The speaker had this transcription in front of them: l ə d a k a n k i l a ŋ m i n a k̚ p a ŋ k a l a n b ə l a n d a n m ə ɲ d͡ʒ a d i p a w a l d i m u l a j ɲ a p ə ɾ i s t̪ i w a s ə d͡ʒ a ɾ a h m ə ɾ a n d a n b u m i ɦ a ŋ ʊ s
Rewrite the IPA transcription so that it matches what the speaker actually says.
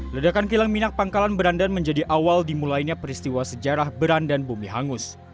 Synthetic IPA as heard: l ə d a k a n k i l a ŋ m i n a k̚ p a ŋ k a l a n b ə ɾ a n d a n m ə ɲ d͡ʒ a d i ʔ a w a l d i m u l a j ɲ a p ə ɾ i s t̪ i w a s ə d͡ʒ a ɾ a h b ə ɾ a n d a n b u m i ɦ a ŋ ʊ s